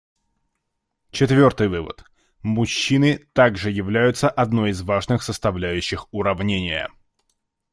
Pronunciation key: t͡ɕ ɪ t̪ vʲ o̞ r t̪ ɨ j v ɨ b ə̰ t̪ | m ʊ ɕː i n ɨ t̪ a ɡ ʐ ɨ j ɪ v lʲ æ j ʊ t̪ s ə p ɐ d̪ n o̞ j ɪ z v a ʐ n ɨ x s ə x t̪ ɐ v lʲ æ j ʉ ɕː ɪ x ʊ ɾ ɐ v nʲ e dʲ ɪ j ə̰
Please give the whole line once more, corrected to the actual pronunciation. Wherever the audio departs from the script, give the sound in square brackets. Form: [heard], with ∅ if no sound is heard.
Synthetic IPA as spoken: t͡ɕ ɪ t̪ vʲ o̞ r t̪ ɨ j v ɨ [v] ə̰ t̪ | m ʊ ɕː i n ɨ t̪ a ɡ ʐ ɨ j ɪ v lʲ æ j ʊ t̪ s ə [ʔ] ɐ d̪ n o̞ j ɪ z v a ʐ n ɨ x s ə [s] t̪ ɐ v lʲ æ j ʉ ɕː ɪ x ʊ ɾ ɐ v nʲ e [nʲ] ɪ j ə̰